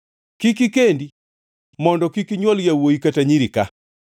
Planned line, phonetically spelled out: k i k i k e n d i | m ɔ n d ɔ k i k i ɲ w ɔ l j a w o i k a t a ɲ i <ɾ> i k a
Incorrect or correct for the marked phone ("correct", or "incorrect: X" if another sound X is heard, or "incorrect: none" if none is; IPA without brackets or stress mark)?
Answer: correct